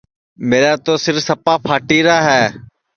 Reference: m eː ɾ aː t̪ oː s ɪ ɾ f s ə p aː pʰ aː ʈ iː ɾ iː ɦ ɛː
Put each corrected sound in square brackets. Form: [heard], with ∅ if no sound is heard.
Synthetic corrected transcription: m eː ɾ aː t̪ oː s ɪ ɾ f s ə p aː pʰ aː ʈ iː ɾ [aː] ɦ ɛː